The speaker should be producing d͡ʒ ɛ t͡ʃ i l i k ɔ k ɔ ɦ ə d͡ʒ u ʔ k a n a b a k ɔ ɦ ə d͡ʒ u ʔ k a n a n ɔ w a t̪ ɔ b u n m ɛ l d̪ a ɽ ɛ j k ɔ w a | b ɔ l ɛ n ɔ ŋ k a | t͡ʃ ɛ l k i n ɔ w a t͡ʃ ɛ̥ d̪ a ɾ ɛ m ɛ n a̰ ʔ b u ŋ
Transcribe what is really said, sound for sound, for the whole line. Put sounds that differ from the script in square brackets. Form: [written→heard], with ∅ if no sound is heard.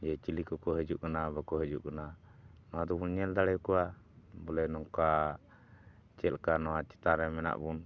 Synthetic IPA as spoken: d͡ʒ ɛ t͡ʃ i l i k ɔ k ɔ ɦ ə d͡ʒ u ʔ k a n a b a k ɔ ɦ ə d͡ʒ u ʔ k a n a n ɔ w a [t̪→d̪] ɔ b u n [m→ɲ] ɛ l d̪ a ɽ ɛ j k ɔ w a | b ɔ l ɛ n ɔ ŋ k a | t͡ʃ ɛ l k [i→a] n ɔ w a t͡ʃ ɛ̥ [d̪→t̪] a ɾ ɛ m ɛ n a̰ ʔ b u [ŋ→n]

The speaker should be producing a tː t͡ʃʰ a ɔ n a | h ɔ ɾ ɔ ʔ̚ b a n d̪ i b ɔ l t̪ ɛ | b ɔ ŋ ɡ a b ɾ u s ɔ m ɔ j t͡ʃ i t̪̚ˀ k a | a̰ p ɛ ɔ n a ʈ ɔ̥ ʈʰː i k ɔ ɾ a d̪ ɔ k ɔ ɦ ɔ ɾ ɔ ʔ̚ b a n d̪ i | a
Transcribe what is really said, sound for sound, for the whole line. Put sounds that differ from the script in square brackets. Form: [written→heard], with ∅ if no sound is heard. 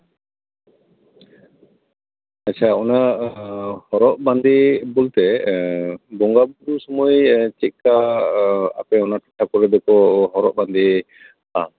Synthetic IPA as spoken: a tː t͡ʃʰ a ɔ n a | h ɔ ɾ ɔ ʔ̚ b a n d̪ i b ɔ l t̪ ɛ | b ɔ ŋ ɡ a b ɾ u s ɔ m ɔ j t͡ʃ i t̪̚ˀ k a | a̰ p ɛ ɔ n a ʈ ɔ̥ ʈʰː [i→a] k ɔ ɾ [a→ɛ] d̪ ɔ k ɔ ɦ ɔ ɾ ɔ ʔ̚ b a n d̪ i | a

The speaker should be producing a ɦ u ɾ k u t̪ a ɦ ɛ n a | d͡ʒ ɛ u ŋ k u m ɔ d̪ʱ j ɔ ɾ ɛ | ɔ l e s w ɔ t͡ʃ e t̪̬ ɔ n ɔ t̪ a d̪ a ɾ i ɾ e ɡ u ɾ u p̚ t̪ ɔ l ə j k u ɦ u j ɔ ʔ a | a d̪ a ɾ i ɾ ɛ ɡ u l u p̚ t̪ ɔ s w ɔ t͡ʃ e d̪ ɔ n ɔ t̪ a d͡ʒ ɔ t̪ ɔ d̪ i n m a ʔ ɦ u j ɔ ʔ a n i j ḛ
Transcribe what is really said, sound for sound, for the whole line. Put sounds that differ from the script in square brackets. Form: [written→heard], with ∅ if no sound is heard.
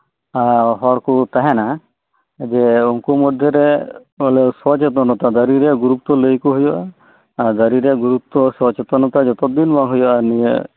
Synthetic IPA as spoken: a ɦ [u→ɔ] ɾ k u t̪ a ɦ ɛ n a | d͡ʒ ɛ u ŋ k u m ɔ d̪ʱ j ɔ ɾ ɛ | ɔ l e s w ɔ t͡ʃ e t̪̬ ɔ n ɔ t̪ a d̪ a ɾ i ɾ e ɡ u ɾ u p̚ t̪ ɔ l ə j k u ɦ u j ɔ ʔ a | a d̪ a ɾ i ɾ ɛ ɡ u [l→ɾ] u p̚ t̪ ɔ s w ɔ t͡ʃ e [d̪→t̪] ɔ n ɔ t̪ a d͡ʒ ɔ t̪ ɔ d̪ i n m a [ʔ→∅] ɦ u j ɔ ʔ a n i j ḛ

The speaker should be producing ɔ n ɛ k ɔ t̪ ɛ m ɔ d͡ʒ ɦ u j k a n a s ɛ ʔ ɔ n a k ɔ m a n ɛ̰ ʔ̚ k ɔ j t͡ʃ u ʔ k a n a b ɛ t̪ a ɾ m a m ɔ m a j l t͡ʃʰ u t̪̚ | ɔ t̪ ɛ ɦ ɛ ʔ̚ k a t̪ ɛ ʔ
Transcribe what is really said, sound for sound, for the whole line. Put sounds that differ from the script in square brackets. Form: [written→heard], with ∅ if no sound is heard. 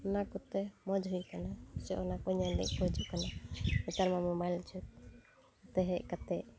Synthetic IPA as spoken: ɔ n [ɛ→a] k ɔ t̪ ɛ m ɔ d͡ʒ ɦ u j k a n a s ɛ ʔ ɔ n a k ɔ [m→ɲ] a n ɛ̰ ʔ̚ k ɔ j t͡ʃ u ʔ k a n a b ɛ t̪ a ɾ m a m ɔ m a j l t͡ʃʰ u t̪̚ | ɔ t̪ ɛ ɦ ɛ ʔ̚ k a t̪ ɛ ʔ

